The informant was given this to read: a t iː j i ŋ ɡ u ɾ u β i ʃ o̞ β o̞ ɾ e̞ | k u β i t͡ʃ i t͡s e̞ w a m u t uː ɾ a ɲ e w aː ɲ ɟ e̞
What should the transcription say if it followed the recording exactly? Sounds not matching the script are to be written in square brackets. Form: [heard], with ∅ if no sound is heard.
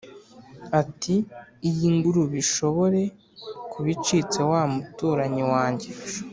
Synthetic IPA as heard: a t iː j i ŋ ɡ u ɾ u β i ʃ o̞ β o̞ ɾ e̞ | k u β i t͡ʃ i t͡s e̞ w a m u t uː ɾ a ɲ [i] w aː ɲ ɟ e̞